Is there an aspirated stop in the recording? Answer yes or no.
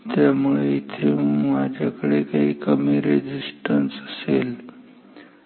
yes